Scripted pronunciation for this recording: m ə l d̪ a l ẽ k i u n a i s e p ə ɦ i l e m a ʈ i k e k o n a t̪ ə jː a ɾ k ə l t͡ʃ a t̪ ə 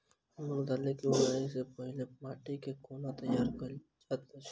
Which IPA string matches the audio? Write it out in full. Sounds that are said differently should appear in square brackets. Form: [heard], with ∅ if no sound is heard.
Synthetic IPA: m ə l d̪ a l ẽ k i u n a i s e p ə ɦ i l e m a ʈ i k e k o n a t̪ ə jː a ɾ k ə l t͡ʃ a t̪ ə